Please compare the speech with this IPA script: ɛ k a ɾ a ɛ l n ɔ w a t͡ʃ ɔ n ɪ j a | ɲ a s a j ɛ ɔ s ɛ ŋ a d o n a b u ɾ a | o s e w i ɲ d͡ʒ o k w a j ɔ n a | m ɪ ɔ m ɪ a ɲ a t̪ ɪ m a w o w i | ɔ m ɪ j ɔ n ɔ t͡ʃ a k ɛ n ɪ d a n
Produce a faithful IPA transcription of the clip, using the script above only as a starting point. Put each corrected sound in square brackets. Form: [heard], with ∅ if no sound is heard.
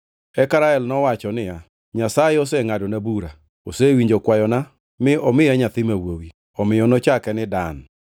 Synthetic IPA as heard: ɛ k a ɾ a ɛ l n ɔ w a t͡ʃ ɔ n ɪ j a | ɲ a s a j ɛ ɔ s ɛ ŋ a d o n a b u ɾ a | o s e w i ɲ d͡ʒ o k w a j ɔ n a | m ɪ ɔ m ɪ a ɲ a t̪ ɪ m a w o w i | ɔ m ɪ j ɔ n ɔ t͡ʃ a k ɛ n ɪ d a n